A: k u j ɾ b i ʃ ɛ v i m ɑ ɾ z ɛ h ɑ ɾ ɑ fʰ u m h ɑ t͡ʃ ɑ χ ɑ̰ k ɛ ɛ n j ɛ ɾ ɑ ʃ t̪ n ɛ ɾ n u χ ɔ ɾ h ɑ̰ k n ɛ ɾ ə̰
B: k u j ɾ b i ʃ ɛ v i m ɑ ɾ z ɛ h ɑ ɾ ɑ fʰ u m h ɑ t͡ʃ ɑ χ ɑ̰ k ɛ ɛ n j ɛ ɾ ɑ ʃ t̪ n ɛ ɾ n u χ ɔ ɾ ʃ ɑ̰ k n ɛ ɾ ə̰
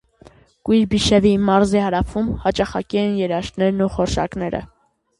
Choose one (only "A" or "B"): B